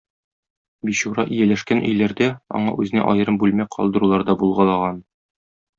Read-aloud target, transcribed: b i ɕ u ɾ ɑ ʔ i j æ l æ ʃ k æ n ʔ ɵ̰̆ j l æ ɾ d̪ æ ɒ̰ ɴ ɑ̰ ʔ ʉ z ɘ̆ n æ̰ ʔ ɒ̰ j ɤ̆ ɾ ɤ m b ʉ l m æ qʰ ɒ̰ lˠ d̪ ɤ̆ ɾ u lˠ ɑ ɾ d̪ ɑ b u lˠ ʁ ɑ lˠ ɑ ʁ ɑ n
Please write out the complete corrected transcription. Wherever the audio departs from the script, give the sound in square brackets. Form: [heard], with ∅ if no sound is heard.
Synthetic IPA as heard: b i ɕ u ɾ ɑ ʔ i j æ l æ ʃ k æ n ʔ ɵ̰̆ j l æ ɾ d̪ æ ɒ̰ ɴ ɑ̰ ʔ ʉ z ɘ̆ n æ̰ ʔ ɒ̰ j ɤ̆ ɾ ɤ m b ʉ l m æ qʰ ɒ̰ lˠ d̪ ɤ̆ ɾ u lˠ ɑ ɾ d̪ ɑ b u lˠ ʁ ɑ lˠ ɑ ʁ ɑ n